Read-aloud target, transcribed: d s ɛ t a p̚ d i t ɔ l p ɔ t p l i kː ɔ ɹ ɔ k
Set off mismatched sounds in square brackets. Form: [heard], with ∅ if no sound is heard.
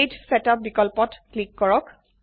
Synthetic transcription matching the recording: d s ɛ t a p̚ [b] i [k] ɔ l p ɔ t [k] l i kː ɔ ɹ ɔ k